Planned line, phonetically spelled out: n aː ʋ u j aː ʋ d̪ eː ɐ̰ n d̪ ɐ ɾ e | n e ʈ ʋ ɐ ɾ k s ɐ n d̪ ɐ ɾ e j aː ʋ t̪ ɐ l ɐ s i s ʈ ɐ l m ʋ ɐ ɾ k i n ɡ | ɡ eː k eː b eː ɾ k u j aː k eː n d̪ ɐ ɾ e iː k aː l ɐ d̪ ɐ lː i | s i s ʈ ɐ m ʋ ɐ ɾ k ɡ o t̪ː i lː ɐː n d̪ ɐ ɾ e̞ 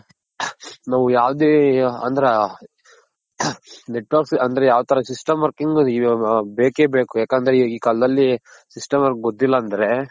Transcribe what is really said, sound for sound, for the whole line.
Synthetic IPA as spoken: n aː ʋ u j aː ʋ d̪ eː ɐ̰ n d̪ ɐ ɾ e | n e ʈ ʋ ɐ ɾ k s ɐ n d̪ ɐ ɾ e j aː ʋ t̪ ɐ ɾ ɐ s i s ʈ ɐ m ʋ ɐ ɾ k i ŋ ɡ | b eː k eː b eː k u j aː k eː n d̪ ɐ ɾ e iː k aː l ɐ d̪ ɐ lː i | s i s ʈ ɐ m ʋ ɐ ɾ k ɡ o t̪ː i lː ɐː n d̪ ɐ ɾ e̞